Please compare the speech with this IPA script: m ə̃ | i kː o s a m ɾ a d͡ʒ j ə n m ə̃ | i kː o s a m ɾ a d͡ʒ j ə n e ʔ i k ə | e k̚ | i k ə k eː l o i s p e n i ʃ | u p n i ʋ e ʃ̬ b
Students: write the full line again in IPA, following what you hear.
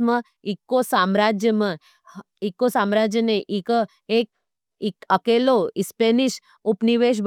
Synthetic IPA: m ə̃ | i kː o s a m ɾ a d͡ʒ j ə m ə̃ | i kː o s a m ɾ a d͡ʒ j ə n e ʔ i k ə | e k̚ | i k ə k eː l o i s p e n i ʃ | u p n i ʋ e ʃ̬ b